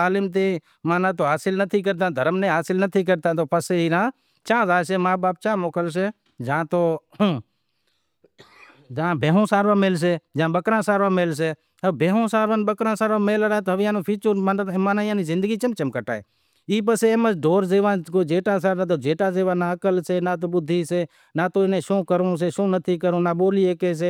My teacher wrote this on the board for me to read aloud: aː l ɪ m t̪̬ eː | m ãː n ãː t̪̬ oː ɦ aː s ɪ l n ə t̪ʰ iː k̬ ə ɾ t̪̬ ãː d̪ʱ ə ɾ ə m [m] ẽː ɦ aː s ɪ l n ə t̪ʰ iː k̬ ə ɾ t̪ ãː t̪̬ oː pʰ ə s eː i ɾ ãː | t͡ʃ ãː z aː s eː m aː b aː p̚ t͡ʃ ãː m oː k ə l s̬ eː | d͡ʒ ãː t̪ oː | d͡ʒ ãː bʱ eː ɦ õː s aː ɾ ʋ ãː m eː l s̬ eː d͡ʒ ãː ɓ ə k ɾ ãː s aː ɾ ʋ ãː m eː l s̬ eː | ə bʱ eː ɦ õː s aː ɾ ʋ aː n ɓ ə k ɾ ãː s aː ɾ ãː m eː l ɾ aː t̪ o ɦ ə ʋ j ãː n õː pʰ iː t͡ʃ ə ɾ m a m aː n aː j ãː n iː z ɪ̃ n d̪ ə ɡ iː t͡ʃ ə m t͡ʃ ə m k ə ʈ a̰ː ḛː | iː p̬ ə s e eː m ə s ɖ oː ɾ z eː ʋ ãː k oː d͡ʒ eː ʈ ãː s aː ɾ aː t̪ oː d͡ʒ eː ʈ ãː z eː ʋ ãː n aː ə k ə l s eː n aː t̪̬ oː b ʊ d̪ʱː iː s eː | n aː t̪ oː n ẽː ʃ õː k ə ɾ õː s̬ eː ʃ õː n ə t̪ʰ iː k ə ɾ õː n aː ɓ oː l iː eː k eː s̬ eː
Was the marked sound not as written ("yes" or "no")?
yes